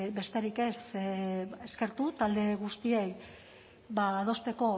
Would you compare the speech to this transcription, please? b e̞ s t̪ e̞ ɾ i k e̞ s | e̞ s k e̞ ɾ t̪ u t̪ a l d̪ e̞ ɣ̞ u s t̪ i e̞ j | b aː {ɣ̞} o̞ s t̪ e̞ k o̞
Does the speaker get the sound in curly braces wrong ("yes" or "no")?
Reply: yes